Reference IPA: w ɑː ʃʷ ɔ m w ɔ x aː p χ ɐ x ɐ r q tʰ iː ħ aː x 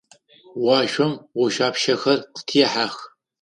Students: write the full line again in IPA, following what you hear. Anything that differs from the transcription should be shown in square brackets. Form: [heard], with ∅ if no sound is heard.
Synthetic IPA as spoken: w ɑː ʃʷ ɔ m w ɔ [ʃ] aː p [ʃ] ɐ x ɐ r q tʰ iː ħ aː x